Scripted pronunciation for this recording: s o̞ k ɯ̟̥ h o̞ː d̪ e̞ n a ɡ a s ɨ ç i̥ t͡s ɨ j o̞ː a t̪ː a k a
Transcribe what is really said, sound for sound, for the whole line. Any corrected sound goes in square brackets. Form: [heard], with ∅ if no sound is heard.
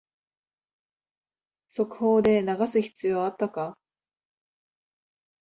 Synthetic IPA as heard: s o̞ k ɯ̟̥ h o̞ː d̪ e̞ n a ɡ a s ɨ ç i̥ t͡s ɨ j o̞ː a t̪ː a k a